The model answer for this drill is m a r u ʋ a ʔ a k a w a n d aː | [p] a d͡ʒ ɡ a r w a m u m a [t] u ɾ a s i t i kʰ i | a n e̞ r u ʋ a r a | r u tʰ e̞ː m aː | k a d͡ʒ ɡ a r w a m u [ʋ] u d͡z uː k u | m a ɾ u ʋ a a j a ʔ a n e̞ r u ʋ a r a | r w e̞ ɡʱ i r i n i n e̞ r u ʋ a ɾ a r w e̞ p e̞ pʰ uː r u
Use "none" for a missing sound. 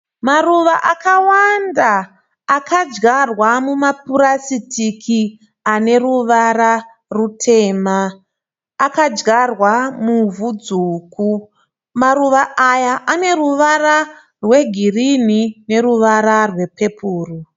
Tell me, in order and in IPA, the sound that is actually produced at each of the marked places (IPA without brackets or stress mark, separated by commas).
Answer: k, p, v